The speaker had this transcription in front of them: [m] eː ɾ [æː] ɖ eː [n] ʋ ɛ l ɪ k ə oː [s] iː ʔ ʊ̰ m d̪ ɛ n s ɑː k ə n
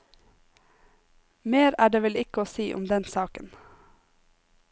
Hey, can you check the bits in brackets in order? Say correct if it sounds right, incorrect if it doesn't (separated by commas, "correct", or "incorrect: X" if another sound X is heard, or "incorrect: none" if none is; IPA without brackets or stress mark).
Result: correct, correct, incorrect: none, correct